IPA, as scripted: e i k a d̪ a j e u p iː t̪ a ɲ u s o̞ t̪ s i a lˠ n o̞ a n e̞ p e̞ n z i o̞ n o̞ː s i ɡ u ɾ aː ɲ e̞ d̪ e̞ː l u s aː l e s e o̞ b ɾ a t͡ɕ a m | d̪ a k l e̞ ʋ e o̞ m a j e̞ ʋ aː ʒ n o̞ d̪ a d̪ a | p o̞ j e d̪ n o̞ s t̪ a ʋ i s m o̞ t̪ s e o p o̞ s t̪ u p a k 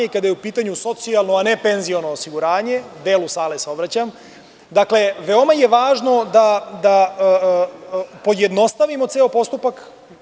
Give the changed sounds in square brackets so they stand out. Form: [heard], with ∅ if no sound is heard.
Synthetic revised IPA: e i k a d̪ a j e u p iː t̪ a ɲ u s o̞ t̪ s i a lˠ n o̞ a n e̞ p e̞ n z i o̞ n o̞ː s i ɡ u ɾ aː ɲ e̞ d̪ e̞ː l u s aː l e s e o̞ b ɾ a t͡ɕ a m | d̪ a k l e̞ ʋ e o̞ m a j e̞ ʋ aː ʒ n o̞ d̪ a d̪ a | p o̞ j e d̪ n o̞ s t̪ a ʋ i [∅] m o̞ t̪ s e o p o̞ s t̪ u p a k